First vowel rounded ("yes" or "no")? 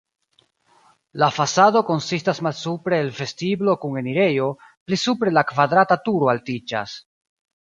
no